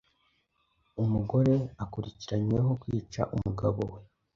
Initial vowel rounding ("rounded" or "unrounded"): rounded